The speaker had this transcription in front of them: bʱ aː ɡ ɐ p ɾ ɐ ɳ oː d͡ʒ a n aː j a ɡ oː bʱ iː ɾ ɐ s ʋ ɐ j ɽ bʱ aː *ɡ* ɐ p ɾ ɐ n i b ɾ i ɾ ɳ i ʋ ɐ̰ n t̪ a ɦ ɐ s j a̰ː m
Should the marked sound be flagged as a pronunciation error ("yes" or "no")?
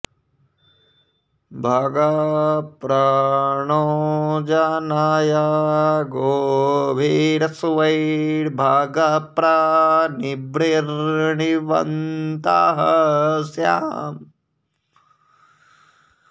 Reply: no